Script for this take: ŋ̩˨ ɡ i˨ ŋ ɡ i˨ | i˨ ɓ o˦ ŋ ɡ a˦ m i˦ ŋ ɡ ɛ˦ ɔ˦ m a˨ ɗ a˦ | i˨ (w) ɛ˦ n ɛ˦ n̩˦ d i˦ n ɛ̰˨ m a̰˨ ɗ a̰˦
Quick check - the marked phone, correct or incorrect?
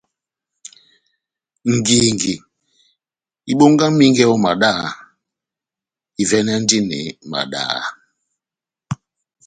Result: incorrect: v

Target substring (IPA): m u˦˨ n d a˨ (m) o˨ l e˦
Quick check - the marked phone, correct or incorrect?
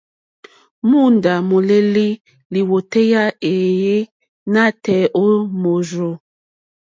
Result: correct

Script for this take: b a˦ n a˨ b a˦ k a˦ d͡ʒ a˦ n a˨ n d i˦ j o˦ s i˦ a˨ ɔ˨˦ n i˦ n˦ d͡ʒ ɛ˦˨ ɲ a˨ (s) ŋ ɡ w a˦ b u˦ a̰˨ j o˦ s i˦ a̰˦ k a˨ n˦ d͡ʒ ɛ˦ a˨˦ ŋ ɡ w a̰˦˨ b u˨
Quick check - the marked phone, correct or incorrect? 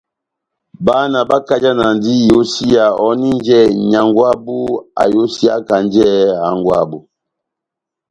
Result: incorrect: none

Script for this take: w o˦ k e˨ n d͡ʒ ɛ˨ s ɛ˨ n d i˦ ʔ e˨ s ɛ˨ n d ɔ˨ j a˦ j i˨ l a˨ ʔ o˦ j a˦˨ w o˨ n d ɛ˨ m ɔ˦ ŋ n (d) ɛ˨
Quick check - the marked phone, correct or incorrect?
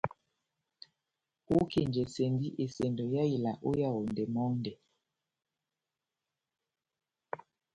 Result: correct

